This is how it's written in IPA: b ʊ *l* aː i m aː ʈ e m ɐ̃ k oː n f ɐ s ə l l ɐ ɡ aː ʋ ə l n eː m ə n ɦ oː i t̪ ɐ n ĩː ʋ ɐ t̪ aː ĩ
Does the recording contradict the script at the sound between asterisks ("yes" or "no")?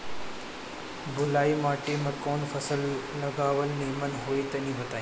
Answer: no